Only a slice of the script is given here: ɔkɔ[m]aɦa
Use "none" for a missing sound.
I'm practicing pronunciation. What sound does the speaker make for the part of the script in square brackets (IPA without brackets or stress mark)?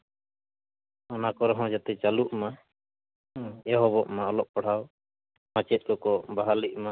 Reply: b